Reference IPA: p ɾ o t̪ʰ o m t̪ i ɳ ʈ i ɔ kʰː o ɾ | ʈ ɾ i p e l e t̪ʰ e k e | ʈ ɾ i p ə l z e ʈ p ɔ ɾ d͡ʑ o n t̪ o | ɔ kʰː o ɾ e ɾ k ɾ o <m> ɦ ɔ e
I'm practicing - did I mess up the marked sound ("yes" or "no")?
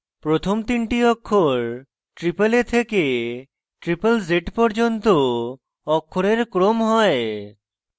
no